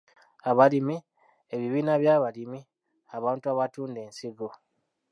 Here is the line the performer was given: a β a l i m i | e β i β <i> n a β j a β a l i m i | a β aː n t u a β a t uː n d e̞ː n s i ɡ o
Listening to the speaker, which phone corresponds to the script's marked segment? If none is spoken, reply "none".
iː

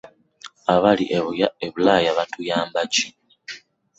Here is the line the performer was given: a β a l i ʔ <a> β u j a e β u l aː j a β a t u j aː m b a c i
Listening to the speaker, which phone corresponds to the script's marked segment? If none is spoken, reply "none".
e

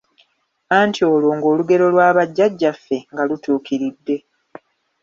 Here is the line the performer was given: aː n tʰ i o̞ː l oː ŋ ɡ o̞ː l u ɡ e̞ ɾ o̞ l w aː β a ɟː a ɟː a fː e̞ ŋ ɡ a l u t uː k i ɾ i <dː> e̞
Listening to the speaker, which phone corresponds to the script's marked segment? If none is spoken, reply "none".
dː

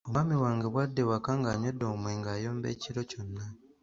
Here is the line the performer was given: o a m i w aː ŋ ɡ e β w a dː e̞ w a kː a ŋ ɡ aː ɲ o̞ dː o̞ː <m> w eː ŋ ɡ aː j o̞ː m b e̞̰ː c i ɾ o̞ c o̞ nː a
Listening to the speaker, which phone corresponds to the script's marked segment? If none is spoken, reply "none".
m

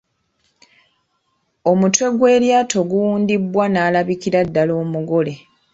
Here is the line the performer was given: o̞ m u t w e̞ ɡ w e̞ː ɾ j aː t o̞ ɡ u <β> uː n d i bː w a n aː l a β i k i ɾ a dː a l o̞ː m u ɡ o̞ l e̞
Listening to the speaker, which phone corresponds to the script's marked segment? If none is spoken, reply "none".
w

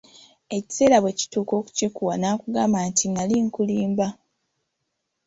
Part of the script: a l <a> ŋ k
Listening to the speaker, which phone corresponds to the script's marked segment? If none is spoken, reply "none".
i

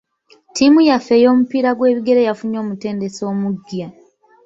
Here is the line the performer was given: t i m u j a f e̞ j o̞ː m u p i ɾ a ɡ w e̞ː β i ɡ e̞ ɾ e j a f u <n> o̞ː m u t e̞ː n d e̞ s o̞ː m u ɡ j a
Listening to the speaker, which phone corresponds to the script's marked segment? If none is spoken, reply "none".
ɲ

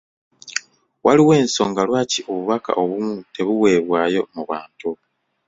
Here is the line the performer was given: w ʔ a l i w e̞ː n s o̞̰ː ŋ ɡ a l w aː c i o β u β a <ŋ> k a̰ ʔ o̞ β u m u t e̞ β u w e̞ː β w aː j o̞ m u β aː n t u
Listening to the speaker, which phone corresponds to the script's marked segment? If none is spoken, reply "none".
none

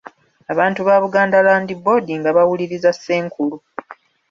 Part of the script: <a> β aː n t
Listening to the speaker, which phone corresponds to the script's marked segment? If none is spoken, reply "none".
a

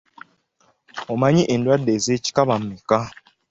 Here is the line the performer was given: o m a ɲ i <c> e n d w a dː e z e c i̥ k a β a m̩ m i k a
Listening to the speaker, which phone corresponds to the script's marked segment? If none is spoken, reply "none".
ʔ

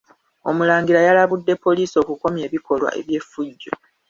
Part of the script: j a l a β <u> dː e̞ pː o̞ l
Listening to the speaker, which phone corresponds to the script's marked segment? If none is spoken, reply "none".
u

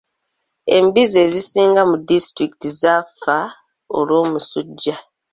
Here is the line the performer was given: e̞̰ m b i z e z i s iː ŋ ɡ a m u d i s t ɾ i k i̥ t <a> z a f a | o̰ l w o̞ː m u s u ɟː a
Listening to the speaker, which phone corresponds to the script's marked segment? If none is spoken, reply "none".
i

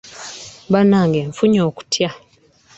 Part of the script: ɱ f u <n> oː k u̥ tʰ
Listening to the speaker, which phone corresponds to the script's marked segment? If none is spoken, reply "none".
ɲ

